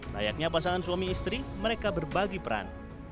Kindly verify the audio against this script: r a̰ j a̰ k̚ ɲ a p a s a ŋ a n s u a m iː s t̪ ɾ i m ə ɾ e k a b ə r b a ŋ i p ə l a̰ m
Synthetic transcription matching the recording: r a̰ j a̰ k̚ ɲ a p a s a ŋ a n s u a m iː s t̪ ɾ i m ə ɾ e k a b ə r b a ɡ i p ə ɾ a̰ n